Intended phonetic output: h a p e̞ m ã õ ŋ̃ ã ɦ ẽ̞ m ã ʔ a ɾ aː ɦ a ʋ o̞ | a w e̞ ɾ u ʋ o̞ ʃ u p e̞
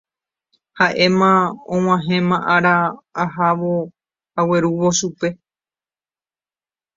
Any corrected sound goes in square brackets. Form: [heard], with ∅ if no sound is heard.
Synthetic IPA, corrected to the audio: h a [ʔ] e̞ m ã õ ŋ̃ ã ɦ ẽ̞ m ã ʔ a ɾ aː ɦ a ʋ o̞ | a w e̞ ɾ u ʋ o̞ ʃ u p e̞